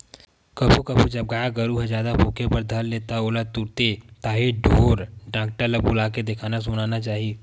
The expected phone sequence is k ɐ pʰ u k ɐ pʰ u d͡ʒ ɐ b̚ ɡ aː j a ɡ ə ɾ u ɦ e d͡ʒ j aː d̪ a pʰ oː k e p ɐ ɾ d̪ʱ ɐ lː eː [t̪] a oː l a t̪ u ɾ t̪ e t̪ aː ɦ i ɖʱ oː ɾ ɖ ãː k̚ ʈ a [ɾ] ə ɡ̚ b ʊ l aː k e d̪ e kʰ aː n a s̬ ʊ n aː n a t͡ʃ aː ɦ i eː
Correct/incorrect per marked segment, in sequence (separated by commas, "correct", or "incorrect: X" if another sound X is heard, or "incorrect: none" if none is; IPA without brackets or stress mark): correct, incorrect: l